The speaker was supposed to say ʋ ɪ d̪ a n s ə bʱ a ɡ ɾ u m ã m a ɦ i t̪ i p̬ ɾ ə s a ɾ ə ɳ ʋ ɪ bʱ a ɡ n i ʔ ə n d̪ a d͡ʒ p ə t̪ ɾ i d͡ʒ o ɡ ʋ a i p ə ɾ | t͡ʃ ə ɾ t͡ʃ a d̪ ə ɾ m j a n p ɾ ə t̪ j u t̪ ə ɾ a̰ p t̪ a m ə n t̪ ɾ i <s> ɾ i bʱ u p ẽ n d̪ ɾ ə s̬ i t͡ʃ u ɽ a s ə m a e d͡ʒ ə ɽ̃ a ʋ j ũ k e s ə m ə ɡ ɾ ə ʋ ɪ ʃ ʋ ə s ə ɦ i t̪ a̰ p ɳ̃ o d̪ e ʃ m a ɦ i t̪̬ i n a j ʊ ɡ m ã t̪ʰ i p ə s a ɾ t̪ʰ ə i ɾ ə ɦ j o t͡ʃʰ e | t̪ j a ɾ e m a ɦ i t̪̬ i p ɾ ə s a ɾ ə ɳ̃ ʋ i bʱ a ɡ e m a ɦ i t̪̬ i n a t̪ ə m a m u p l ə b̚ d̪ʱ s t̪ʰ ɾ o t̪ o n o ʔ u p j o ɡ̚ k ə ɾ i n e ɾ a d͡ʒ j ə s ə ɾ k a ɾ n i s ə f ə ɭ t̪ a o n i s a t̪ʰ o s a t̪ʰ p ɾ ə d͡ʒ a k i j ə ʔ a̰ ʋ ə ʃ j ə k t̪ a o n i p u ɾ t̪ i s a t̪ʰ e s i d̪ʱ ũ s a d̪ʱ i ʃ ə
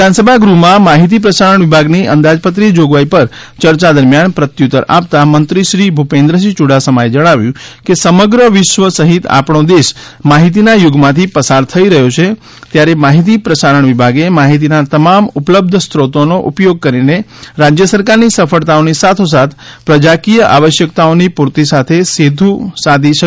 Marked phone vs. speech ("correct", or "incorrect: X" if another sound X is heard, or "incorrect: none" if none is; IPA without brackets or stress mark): incorrect: ʃ